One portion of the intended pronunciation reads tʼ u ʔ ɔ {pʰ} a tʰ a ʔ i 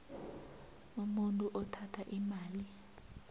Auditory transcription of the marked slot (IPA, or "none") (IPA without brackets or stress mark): tʰ